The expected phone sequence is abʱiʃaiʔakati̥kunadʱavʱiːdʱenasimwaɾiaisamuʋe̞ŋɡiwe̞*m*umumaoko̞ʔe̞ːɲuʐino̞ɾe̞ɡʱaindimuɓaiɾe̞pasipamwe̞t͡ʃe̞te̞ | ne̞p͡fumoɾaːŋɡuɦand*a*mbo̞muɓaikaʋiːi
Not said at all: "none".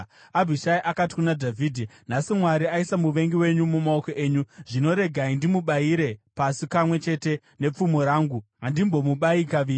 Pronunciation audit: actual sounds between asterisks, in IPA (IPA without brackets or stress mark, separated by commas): ɲ, i